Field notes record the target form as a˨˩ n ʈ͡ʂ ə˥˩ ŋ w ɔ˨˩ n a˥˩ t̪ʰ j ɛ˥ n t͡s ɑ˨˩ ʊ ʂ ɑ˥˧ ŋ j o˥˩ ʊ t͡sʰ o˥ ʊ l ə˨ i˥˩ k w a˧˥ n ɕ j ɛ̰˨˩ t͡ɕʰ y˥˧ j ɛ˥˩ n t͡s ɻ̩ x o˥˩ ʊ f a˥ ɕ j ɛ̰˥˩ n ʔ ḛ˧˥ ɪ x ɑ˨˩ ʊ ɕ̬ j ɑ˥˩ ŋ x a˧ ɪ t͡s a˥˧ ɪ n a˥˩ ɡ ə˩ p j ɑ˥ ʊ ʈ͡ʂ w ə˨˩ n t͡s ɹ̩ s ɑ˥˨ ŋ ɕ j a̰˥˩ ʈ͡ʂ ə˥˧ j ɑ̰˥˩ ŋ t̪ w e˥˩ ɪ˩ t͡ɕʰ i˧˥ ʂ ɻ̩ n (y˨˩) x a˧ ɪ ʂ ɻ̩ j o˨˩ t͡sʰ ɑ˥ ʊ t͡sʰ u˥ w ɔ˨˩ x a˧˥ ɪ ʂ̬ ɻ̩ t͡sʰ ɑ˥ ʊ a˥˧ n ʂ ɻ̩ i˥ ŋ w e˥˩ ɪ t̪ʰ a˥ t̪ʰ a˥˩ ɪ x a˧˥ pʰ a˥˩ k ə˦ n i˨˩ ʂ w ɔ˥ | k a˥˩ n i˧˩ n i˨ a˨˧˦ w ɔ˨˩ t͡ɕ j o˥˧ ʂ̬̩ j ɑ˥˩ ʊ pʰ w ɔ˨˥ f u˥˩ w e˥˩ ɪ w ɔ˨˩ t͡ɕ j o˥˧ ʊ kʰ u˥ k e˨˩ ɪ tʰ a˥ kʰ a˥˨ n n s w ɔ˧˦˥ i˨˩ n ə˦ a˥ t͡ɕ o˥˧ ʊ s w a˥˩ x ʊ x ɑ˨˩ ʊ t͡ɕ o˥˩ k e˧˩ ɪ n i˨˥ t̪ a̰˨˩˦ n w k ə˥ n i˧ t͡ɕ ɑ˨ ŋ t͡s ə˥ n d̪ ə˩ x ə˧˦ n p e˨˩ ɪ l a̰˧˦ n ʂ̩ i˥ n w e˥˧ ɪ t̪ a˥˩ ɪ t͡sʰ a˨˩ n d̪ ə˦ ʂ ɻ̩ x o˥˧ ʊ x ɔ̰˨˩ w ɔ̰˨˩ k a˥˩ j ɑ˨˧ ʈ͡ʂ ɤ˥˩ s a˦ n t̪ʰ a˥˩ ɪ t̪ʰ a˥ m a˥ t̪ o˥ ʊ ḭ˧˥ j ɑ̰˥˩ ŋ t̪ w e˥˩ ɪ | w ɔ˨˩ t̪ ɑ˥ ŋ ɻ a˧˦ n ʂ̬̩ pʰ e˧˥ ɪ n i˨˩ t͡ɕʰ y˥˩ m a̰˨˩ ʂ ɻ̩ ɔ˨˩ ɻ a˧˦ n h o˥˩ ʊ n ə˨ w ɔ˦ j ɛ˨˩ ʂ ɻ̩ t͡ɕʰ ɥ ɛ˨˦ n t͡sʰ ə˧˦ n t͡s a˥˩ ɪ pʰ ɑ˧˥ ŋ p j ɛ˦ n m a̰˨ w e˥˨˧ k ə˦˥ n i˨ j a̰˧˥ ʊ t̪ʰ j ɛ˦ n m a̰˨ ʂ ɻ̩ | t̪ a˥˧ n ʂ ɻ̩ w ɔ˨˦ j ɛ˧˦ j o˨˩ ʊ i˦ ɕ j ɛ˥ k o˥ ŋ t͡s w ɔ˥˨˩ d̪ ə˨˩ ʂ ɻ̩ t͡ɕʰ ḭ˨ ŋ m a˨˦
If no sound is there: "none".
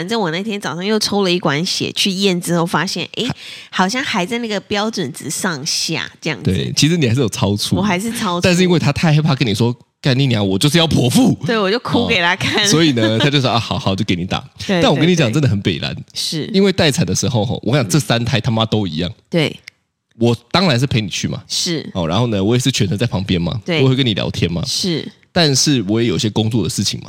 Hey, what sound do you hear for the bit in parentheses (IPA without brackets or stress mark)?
i˨˩